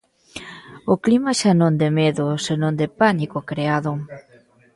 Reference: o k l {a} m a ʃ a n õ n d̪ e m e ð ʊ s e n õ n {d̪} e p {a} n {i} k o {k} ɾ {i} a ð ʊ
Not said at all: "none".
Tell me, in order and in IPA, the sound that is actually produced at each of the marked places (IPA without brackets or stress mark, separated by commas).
i, d̪, a, i, k, e